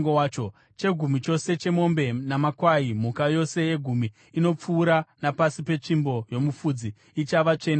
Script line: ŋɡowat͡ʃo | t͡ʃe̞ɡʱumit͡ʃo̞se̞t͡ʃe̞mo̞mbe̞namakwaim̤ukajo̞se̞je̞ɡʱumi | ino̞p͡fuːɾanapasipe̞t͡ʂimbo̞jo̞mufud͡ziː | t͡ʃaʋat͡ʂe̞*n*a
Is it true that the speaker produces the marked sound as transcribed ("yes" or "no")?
yes